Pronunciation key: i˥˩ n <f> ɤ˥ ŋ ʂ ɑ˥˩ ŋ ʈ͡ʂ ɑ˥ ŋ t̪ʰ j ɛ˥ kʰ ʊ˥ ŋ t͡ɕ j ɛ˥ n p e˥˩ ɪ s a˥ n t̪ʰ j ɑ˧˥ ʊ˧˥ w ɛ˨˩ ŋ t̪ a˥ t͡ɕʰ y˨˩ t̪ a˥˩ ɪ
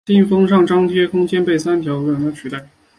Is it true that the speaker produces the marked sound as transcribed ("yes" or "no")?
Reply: yes